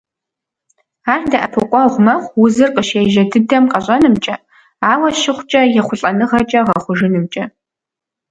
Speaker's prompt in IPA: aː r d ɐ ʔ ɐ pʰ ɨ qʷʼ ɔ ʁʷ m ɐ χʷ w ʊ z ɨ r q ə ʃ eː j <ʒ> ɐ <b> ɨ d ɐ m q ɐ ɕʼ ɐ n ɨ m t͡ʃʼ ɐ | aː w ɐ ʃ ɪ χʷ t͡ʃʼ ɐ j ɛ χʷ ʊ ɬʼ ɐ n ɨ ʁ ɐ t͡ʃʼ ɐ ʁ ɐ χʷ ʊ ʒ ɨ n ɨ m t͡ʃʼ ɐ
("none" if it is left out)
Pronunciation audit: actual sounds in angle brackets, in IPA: ʒ, d

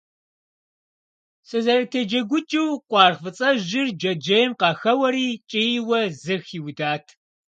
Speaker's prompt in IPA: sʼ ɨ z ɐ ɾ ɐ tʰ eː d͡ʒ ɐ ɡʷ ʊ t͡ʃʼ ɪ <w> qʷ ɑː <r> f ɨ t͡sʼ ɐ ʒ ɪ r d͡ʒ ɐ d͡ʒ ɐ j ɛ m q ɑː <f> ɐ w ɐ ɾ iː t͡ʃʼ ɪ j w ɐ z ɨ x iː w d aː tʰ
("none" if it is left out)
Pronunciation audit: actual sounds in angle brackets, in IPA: w, r, x

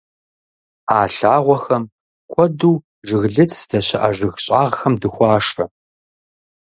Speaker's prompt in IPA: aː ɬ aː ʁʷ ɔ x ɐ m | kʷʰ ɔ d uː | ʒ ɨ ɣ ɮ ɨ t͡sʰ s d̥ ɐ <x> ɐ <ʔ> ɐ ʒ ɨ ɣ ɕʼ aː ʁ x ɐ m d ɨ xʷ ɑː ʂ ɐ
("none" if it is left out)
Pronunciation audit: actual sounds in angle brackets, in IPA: ɕ, ʔ

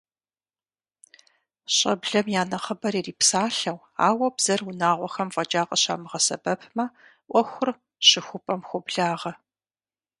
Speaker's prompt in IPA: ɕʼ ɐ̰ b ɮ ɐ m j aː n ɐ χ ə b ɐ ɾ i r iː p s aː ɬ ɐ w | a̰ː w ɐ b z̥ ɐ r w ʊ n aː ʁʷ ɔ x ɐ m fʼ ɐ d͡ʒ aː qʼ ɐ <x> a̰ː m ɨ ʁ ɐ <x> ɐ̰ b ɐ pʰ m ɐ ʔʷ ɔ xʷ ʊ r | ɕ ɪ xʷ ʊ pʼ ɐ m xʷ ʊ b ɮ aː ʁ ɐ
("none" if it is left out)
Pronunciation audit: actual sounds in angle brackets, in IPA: ɕ, s

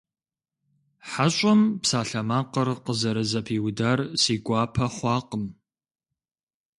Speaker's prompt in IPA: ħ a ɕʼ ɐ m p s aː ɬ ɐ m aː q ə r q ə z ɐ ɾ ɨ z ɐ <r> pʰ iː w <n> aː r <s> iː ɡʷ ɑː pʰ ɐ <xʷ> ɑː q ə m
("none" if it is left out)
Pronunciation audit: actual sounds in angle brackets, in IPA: none, d, s, χʷ

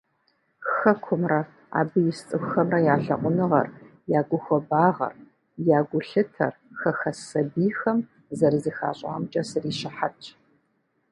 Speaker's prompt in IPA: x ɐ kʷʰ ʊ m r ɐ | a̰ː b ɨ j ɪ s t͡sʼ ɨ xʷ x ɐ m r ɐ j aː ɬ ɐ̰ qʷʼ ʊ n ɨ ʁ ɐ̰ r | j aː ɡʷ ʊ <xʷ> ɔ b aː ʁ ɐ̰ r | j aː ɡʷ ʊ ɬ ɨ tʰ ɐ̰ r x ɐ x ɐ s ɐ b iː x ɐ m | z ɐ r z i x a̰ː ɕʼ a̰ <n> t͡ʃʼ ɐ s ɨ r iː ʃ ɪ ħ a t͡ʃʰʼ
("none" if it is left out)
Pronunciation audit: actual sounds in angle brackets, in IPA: xʷ, m

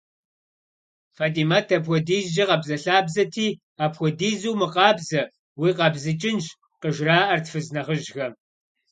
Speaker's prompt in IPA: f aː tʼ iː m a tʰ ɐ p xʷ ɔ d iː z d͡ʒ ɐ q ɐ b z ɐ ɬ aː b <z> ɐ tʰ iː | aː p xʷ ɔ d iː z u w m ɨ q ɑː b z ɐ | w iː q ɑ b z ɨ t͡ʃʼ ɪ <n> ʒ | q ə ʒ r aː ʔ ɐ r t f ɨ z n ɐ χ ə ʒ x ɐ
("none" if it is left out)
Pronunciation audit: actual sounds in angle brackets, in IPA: z, n

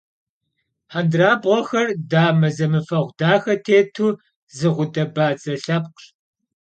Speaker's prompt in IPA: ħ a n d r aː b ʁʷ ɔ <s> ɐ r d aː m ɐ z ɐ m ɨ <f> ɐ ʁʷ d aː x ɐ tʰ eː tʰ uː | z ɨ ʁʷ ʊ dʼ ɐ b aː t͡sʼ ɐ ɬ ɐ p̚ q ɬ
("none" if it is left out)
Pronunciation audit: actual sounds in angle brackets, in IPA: x, f

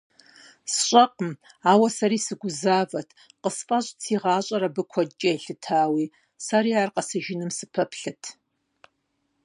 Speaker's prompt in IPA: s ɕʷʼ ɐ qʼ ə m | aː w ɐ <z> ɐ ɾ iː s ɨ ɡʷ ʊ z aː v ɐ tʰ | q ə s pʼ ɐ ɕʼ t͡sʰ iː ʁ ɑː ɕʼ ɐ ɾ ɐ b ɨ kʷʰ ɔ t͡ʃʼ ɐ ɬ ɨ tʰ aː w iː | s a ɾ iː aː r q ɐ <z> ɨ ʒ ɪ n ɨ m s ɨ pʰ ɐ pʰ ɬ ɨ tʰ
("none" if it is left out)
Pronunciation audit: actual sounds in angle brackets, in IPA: s, s

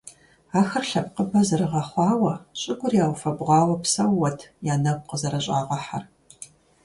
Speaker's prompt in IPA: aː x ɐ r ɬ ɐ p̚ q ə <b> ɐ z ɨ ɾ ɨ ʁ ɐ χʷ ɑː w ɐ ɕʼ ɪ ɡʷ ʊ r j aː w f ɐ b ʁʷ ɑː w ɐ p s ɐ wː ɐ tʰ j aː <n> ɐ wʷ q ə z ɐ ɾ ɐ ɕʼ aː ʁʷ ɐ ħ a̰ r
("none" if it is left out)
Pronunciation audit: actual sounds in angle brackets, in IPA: b, n

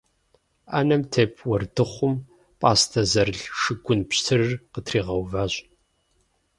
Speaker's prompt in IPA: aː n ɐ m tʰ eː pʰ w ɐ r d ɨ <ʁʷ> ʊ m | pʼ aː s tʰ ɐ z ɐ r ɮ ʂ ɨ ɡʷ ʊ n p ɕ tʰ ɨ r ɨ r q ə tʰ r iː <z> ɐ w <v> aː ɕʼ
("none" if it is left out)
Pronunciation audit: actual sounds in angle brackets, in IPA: χʷ, ʁ, v

